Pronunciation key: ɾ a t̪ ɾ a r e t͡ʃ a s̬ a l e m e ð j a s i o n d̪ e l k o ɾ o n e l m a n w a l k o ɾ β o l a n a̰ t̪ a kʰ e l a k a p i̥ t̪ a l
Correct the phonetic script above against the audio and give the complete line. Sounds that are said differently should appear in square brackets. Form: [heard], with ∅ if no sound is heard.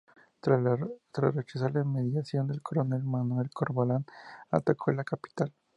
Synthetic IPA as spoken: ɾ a t̪ ɾ a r e t͡ʃ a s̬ a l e m e ð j a s [j] o n d̪ e l k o ɾ o n e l m a n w [e] l k o ɾ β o l a n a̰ t̪ a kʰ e l a k a p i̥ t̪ a l